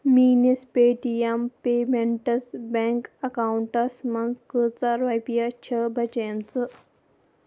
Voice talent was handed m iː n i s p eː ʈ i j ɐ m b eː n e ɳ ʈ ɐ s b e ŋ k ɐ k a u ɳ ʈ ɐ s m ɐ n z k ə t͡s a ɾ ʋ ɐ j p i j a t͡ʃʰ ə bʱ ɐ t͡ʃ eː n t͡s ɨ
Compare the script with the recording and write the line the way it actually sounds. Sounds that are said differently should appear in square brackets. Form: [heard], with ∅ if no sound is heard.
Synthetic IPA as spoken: m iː n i s p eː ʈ i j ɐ m [p] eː [m] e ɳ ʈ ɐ s b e ŋ k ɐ k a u ɳ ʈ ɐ s m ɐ n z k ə t͡s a ɾ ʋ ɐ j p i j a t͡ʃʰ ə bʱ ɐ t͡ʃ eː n t͡s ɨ